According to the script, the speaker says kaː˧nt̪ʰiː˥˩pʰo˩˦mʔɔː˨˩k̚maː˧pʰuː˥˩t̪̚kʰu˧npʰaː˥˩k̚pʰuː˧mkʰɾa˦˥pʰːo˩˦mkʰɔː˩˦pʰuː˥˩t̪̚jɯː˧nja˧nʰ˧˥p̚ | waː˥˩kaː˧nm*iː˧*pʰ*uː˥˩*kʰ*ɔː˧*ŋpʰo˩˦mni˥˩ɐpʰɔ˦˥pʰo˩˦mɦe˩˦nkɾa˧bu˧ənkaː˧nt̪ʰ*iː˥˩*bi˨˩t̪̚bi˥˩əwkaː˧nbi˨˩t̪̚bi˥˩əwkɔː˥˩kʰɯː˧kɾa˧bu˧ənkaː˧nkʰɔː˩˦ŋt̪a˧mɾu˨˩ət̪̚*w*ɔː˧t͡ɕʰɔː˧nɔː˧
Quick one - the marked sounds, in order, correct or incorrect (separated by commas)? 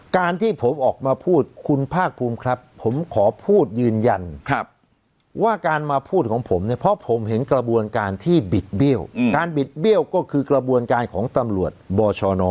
incorrect, correct, incorrect, correct, incorrect